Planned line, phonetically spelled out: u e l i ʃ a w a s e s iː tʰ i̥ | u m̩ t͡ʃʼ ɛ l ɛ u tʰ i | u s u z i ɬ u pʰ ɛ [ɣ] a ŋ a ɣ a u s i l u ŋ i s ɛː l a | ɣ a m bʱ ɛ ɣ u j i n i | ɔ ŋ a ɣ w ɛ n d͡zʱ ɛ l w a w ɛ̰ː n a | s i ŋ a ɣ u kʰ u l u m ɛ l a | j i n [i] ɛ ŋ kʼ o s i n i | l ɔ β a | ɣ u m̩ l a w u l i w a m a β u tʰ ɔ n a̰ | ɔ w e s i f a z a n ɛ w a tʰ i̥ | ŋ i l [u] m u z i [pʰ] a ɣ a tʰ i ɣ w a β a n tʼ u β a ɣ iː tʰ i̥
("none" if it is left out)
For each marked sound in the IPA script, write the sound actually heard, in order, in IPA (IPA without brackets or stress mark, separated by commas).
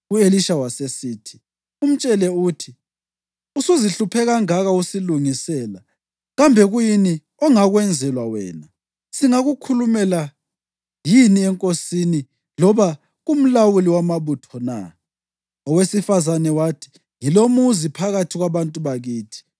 ɣ, i, o, pʰ